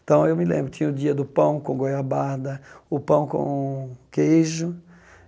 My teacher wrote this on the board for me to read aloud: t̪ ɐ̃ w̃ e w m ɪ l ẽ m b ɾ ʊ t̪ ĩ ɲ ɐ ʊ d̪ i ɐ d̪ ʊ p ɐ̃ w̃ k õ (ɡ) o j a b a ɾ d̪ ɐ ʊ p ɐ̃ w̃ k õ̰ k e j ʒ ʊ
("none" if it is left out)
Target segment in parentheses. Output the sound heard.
ɡ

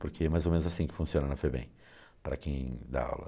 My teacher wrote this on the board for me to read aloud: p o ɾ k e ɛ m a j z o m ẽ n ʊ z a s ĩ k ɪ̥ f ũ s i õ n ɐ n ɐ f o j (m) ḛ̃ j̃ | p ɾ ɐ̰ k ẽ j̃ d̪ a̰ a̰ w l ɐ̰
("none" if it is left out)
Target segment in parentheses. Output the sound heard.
b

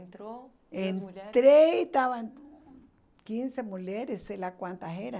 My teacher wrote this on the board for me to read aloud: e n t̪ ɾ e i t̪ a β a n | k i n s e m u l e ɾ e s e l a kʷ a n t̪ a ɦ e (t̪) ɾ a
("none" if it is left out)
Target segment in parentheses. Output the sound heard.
none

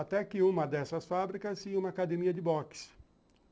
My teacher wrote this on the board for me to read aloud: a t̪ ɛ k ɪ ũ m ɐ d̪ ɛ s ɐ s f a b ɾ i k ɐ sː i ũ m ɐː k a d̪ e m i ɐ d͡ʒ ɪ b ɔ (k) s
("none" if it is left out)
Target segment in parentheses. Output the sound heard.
k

